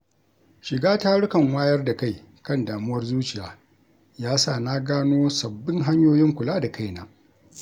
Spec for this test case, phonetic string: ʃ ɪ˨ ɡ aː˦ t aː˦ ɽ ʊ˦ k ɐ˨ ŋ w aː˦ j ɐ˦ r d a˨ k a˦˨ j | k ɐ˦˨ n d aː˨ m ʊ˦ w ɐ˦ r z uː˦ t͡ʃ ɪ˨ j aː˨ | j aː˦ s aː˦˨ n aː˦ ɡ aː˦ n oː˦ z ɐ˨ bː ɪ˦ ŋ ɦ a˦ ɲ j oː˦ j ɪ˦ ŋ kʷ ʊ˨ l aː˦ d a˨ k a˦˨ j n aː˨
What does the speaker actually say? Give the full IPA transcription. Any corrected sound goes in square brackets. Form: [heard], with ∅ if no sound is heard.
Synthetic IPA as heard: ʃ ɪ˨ ɡ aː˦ t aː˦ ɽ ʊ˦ k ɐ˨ ŋ w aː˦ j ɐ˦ r d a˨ k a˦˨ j | k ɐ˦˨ n d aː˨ m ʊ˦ w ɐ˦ r z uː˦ t͡ʃ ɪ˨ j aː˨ | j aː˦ s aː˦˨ n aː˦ ɡ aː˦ n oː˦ [s] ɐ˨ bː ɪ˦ ŋ ɦ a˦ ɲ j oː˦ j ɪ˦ ŋ kʷ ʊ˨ l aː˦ d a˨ k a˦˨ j n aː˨